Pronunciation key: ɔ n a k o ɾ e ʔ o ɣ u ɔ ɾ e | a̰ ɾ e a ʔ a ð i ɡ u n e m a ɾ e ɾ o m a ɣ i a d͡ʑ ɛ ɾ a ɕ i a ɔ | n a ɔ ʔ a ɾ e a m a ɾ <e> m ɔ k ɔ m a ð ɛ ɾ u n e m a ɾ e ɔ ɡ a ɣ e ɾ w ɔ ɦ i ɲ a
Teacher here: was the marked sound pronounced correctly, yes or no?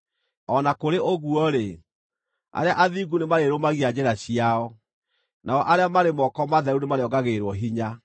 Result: yes